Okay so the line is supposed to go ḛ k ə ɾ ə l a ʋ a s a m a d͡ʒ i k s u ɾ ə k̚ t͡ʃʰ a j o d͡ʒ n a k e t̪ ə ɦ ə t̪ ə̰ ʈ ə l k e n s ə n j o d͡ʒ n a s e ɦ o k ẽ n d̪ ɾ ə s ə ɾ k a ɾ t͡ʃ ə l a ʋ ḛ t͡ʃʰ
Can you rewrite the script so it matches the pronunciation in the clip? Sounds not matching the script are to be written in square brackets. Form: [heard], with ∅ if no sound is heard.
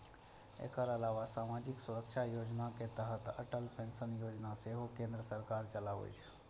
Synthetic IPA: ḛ k ə ɾ ə l a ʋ a s a m a d͡ʒ i k s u ɾ ə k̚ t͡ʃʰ a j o d͡ʒ n a k e t̪ ə ɦ ə t̪ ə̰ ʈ ə l [p] e n s ə n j o d͡ʒ n a s e ɦ o k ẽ n d̪ ɾ ə s ə ɾ k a ɾ t͡ʃ ə l a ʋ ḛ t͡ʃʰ